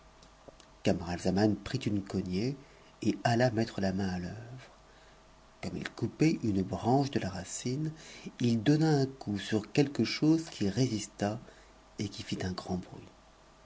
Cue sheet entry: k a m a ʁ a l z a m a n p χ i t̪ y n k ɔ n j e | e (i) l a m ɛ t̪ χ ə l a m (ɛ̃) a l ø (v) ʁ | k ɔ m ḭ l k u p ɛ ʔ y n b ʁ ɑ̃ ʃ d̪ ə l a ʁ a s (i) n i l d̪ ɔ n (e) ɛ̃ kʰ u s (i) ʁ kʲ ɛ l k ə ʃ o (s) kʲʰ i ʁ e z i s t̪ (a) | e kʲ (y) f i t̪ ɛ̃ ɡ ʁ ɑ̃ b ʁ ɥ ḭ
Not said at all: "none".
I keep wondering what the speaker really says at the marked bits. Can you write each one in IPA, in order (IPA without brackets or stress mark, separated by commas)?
a, ɛ̃, v, i, a, y, z, a, i